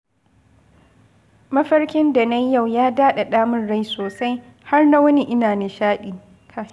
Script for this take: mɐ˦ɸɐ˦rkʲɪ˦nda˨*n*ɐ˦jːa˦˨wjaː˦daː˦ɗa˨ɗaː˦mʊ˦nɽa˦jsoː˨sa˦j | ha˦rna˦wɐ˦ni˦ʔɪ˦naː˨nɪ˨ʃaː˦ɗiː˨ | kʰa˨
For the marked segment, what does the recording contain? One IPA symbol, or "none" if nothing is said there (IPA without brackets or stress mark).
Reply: n